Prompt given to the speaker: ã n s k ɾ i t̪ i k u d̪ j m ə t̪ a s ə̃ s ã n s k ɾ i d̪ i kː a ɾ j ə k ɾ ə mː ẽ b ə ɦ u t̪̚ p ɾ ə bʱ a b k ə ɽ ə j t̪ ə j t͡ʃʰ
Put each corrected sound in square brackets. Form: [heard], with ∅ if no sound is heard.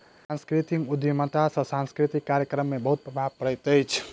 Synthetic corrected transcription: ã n s k ɾ i t̪ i k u d̪ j m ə t̪ a s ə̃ s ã n s k ɾ i [t̪] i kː a ɾ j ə k ɾ ə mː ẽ b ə ɦ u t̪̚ p ɾ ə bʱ a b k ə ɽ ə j t̪ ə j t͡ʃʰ